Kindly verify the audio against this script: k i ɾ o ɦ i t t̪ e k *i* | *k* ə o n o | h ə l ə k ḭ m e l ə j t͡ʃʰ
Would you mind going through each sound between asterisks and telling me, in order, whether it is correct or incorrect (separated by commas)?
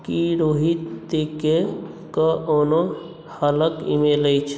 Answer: incorrect, correct